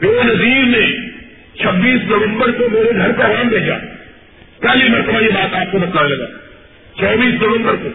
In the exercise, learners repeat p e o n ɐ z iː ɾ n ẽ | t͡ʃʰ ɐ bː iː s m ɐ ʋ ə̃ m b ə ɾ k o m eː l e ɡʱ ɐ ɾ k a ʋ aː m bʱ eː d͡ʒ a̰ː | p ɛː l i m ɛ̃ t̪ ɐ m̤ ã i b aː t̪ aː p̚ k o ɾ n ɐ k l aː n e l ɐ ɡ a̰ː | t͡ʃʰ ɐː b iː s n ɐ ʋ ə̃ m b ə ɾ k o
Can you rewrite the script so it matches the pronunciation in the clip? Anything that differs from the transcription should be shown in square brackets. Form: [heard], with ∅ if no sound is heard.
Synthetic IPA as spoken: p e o n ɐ z iː ɾ n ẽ | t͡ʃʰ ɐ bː iː s [n] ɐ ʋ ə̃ m b ə ɾ k o m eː [ɾ] e ɡʱ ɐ ɾ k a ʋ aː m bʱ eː d͡ʒ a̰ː | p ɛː l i m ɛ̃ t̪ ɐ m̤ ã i b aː t̪ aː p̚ k o [∅] n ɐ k l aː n e l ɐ ɡ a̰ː | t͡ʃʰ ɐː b iː s n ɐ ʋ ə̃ m b ə ɾ k o